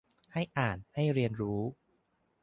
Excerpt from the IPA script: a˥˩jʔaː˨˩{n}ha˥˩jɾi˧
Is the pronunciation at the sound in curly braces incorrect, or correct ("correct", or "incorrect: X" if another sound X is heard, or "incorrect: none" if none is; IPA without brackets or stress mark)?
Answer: correct